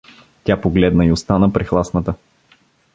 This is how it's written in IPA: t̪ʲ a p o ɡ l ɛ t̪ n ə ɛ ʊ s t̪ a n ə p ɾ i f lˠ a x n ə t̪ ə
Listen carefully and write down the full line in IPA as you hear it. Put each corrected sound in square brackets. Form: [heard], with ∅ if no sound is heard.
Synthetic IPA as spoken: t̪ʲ a p o ɡ l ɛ [d̪] n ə [i] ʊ s t̪ a n ə p ɾ i [x] lˠ a [s] n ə t̪ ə